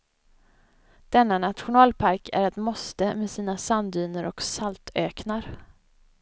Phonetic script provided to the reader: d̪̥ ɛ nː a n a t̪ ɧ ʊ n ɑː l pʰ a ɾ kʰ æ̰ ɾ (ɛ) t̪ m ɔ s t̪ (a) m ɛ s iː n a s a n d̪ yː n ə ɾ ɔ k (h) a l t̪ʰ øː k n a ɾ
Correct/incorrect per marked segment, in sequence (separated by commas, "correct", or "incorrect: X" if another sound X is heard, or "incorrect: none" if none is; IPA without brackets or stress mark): correct, incorrect: ə, incorrect: s